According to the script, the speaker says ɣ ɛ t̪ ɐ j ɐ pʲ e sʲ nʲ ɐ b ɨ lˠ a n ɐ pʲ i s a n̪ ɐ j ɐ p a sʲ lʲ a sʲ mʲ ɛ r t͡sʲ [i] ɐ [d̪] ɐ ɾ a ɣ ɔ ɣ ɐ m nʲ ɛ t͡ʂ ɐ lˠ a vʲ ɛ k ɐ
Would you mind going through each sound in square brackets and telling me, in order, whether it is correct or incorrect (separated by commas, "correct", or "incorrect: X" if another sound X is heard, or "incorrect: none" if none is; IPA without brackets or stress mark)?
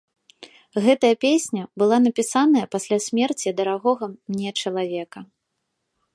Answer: correct, correct